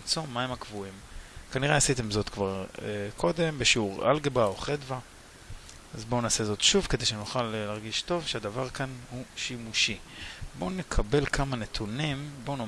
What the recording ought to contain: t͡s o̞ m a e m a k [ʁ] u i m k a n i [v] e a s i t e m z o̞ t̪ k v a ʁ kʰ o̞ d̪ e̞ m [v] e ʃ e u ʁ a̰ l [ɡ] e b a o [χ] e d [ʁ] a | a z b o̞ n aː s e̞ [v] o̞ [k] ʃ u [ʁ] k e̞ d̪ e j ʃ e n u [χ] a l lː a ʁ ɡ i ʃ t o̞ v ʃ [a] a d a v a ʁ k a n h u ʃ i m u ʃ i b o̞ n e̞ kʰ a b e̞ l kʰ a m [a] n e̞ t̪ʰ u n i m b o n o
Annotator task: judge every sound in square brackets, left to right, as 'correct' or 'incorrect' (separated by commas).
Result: incorrect, incorrect, incorrect, correct, correct, incorrect, incorrect, incorrect, incorrect, correct, incorrect, correct